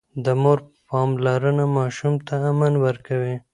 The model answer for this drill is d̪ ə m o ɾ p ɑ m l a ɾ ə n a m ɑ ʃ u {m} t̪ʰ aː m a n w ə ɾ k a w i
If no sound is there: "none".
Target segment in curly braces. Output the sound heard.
m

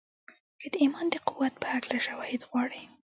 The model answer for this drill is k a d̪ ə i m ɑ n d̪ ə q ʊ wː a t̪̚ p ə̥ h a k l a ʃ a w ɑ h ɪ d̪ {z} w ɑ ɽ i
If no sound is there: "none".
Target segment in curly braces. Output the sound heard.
ɣ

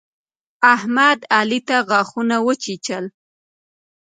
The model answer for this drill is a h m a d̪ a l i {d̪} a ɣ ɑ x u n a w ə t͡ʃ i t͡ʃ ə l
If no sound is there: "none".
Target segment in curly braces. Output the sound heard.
t̪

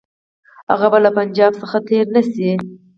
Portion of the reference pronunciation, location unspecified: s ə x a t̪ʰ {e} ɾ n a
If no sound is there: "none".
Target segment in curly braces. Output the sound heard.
e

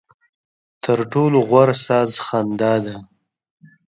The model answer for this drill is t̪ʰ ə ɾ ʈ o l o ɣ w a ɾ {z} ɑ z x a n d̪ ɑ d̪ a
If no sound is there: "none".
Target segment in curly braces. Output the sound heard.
s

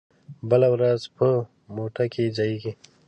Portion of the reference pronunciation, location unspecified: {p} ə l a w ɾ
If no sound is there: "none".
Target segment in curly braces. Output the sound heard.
b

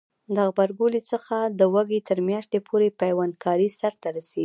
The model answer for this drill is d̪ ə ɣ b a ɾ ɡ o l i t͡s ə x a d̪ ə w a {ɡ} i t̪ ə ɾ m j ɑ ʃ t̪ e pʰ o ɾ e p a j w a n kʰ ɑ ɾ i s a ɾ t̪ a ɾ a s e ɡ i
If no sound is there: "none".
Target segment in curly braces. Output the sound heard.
ɡ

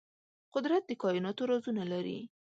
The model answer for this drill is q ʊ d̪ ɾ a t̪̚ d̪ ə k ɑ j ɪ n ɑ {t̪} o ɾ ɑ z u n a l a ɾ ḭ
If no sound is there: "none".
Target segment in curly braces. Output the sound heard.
t̪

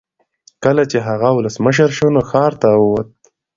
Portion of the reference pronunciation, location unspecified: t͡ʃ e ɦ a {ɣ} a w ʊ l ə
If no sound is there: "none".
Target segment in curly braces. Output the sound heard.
ɣ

